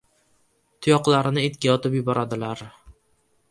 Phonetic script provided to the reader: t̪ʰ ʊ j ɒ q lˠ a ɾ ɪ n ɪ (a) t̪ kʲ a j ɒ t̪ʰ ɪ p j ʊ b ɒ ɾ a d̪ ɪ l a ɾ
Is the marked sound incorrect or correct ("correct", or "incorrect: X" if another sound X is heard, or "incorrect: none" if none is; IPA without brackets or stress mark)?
incorrect: e